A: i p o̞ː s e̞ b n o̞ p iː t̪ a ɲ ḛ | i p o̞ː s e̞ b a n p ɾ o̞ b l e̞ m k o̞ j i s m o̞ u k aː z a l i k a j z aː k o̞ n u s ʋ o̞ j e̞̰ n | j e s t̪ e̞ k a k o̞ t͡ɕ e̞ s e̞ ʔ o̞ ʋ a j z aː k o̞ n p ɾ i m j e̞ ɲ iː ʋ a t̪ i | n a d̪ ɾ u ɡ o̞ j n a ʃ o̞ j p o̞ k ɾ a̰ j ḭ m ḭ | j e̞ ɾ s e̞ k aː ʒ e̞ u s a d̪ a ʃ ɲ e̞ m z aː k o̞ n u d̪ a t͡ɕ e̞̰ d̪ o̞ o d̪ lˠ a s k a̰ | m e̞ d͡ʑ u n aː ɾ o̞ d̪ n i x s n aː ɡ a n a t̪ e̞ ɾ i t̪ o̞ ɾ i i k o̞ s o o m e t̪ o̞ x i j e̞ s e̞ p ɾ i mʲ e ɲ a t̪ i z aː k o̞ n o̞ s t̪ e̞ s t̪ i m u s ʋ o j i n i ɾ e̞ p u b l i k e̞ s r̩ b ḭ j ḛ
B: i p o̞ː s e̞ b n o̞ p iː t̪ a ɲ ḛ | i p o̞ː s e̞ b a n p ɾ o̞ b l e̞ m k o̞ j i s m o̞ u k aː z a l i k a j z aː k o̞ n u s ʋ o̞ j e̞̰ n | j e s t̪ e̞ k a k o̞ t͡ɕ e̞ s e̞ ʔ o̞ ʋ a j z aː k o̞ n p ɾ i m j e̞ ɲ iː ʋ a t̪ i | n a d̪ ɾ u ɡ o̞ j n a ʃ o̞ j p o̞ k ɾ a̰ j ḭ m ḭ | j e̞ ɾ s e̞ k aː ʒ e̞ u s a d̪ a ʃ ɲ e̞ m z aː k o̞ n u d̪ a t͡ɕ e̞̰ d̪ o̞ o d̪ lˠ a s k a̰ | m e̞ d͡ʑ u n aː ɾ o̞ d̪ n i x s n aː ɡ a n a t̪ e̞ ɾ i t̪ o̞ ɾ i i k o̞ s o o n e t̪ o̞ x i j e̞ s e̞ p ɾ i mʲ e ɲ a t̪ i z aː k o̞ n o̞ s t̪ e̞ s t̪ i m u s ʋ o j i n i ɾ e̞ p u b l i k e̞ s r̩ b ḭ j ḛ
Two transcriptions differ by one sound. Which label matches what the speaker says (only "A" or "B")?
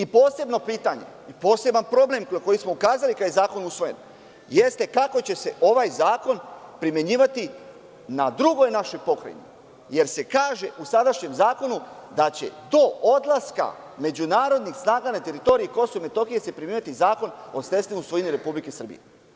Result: A